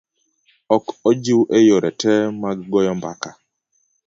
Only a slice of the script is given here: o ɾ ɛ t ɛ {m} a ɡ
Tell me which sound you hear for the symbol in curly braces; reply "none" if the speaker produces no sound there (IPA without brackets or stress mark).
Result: m